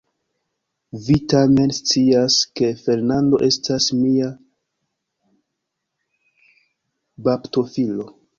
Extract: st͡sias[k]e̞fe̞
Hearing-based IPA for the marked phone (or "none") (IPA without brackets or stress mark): k